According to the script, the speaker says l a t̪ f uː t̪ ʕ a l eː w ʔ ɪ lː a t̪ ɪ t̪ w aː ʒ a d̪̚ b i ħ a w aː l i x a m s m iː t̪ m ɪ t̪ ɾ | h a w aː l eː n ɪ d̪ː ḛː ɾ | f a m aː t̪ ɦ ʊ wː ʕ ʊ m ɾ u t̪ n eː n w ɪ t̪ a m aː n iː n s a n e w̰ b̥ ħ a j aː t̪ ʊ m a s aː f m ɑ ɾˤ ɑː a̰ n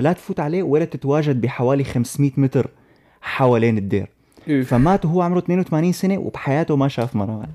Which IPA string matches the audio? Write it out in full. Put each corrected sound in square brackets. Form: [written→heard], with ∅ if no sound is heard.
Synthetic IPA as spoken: l a t̪ f uː t̪ ʕ a l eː w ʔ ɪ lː a t̪ ɪ t̪ w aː ʒ a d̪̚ b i ħ a w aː l i x a m s m iː t̪ m ɪ t̪ ɾ | [h→ħ] a w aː l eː n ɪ d̪ː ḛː ɾ | f a m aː t̪ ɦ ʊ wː ʕ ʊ m ɾ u t̪ n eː n w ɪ t̪ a m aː n iː n s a n e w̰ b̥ ħ a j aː t̪ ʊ m a [s→ʃ] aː f m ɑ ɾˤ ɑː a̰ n